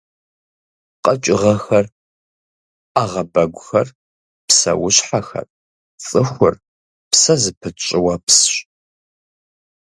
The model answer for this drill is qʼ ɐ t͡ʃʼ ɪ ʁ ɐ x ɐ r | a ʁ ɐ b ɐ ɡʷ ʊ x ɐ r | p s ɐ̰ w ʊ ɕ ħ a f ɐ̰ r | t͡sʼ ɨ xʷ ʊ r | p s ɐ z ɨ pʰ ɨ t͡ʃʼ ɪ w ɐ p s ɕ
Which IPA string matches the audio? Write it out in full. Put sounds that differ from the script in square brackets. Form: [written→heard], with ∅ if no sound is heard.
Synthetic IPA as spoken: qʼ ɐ t͡ʃʼ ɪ ʁ ɐ x ɐ r | a ʁ ɐ b ɐ ɡʷ ʊ x ɐ r | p s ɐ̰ w ʊ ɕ ħ a [f→x] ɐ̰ r | t͡sʼ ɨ xʷ ʊ r | p s ɐ z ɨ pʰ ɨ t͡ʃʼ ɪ w ɐ p s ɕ